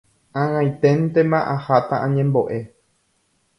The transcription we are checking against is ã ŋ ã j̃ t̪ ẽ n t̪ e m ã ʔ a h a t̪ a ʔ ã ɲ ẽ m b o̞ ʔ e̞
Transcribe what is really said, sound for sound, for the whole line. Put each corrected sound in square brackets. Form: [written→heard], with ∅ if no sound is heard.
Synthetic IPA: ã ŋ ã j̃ t̪ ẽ n t̪ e m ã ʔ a h a t̪ a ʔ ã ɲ ẽ m b o̞ ʔ e̞